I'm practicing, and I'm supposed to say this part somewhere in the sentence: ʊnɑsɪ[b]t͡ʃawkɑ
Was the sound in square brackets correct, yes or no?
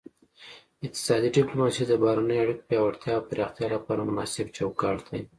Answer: yes